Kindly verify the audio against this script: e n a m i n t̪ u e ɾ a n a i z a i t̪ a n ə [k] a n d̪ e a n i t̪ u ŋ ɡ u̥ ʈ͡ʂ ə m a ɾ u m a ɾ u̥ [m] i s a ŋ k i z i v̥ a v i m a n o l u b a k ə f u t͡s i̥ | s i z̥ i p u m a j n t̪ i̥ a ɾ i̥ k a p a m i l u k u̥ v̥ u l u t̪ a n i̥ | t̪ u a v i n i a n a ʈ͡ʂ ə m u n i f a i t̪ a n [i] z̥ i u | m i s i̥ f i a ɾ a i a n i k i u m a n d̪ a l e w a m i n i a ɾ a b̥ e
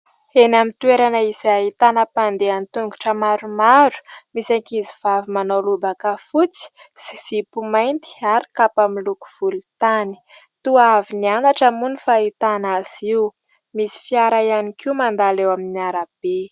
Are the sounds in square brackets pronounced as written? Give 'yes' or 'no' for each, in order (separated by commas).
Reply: no, yes, no